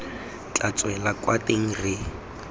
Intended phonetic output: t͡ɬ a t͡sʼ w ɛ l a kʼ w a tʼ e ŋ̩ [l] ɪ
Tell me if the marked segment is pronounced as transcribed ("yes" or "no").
no